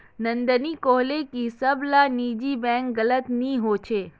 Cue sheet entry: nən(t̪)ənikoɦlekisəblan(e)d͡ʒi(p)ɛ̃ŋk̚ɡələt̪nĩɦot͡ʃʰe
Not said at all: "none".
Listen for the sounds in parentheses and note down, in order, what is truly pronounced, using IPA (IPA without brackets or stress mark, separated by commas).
d̪, i, b